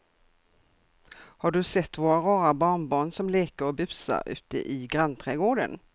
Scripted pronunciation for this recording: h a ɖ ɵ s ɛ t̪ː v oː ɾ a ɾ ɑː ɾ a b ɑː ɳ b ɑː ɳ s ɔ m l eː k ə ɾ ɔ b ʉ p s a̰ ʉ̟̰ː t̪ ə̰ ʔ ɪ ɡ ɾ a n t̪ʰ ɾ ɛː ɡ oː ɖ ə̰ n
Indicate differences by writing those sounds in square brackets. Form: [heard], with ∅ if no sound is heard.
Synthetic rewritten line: h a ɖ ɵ s ɛ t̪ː v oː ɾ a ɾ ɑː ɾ a b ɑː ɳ b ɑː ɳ s ɔ m l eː k ə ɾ ɔ b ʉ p s a̰ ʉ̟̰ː t̪ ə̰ ʔ ɪ ɡ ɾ a n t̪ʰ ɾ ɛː ɡ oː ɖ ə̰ n